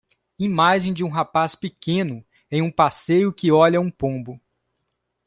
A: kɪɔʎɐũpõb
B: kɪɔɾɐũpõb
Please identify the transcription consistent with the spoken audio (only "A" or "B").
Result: A